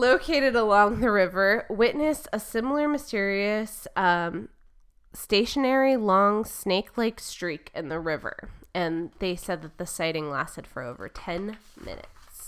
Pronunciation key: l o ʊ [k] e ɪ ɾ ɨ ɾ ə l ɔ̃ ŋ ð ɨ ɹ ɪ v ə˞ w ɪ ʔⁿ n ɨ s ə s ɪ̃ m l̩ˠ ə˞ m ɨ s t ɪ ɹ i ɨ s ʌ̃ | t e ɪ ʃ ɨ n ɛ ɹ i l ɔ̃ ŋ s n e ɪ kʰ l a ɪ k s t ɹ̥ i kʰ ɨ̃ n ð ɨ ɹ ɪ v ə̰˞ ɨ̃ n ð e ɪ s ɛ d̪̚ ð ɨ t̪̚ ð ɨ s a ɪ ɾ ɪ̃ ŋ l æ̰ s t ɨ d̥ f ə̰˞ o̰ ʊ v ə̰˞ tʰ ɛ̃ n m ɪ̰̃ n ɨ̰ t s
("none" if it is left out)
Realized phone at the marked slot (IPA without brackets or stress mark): kʰ